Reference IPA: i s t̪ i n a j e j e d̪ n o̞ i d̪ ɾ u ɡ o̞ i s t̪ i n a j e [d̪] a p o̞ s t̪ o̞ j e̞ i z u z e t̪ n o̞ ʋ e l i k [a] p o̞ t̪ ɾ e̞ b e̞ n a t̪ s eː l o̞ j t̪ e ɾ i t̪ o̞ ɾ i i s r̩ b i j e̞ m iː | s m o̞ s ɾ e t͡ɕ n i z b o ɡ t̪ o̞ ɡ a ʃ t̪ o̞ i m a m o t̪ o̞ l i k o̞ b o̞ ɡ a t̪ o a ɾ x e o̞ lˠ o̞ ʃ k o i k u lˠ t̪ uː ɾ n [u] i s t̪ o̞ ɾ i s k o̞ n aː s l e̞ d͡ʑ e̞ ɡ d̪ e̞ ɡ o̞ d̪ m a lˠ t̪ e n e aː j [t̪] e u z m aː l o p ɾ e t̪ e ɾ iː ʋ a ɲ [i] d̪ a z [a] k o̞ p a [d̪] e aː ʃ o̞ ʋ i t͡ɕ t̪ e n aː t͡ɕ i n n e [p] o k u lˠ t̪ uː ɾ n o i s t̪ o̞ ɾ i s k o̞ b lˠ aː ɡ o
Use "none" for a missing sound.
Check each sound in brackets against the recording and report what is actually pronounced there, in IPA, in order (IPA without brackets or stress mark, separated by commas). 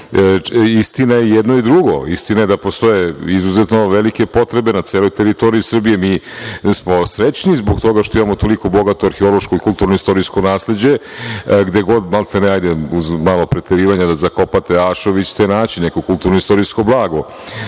d̪, e, o, d̪, a, a, t̪, k